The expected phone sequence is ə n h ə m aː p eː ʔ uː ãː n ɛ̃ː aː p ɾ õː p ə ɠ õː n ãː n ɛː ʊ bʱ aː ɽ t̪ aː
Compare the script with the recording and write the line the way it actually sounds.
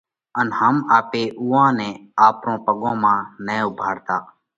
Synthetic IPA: ə n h ə m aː p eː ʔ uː ãː n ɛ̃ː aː p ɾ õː p ə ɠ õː m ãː n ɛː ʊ bʱ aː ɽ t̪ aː